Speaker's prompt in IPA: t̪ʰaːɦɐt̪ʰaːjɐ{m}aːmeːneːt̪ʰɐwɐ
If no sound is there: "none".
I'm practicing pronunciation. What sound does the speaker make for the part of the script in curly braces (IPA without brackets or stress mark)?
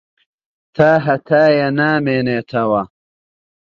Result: n